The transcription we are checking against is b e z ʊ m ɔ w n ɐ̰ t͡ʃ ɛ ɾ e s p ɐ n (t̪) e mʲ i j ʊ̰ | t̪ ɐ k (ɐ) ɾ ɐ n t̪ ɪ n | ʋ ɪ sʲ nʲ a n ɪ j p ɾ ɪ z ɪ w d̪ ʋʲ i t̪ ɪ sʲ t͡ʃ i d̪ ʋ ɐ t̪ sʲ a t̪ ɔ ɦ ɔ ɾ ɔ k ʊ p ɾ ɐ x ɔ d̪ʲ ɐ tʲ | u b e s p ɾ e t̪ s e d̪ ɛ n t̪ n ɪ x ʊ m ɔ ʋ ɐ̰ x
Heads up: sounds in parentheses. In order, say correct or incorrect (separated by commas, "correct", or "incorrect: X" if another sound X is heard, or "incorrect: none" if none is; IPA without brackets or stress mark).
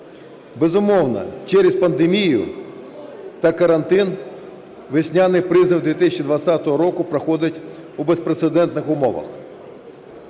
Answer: incorrect: d̪, correct